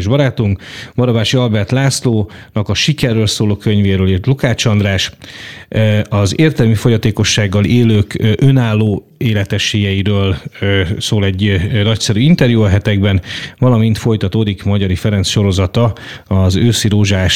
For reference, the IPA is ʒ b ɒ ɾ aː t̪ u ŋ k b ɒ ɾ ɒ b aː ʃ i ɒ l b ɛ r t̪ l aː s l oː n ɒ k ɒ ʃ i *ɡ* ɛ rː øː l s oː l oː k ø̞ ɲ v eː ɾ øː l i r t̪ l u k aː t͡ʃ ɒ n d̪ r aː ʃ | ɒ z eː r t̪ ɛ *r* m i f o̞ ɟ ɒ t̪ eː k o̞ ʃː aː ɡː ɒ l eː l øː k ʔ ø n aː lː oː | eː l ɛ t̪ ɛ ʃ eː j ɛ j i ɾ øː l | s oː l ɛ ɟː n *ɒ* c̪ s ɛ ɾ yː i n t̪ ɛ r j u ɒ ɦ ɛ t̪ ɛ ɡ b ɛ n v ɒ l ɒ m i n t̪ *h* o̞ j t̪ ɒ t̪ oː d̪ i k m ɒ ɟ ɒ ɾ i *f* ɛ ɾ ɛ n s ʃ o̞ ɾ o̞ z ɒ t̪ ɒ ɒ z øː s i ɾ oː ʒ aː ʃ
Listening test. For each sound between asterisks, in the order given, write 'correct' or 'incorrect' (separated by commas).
incorrect, incorrect, correct, incorrect, correct